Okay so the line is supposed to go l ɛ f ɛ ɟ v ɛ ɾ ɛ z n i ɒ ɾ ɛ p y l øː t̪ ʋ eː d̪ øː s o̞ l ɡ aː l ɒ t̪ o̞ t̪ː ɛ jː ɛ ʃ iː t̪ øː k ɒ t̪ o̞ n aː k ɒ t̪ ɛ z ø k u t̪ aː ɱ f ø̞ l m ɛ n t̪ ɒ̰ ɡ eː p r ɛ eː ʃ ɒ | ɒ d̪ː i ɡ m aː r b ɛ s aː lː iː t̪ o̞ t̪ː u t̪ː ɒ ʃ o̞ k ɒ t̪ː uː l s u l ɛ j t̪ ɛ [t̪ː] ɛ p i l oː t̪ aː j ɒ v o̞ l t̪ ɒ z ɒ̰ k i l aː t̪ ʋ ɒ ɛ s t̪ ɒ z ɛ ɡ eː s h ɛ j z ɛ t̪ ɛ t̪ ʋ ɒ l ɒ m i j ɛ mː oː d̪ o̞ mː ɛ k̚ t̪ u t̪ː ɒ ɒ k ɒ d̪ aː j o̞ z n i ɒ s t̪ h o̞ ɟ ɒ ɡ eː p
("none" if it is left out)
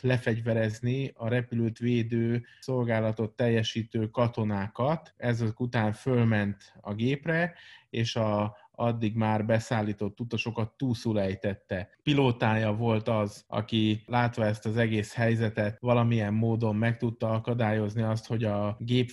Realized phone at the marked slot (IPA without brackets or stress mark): t̪ː